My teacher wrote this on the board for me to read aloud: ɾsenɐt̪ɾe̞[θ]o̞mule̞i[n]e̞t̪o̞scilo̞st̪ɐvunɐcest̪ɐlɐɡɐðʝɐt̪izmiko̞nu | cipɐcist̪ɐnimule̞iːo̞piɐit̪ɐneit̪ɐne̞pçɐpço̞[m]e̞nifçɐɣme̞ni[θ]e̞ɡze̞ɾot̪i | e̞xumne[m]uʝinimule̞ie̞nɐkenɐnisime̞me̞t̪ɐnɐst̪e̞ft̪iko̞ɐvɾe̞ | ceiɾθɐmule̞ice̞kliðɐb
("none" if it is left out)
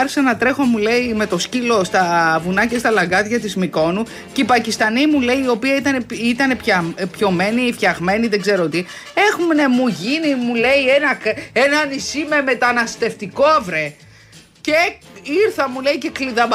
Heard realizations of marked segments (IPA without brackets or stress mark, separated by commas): x, m, m, ð, m